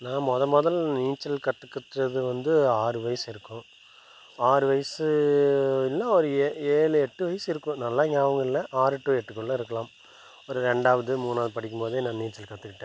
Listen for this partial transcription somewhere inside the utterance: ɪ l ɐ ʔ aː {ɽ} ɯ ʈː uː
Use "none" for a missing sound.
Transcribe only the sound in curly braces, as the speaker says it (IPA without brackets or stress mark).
ɾ